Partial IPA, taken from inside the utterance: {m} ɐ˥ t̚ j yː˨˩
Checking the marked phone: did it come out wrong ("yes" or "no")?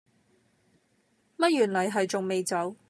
no